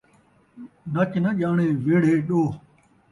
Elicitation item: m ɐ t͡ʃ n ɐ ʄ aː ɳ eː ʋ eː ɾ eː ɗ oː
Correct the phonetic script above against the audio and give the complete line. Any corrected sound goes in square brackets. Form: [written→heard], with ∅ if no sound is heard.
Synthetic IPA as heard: [m→n] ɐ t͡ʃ n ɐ ʄ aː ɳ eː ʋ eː [ɾ→ɽ] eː ɗ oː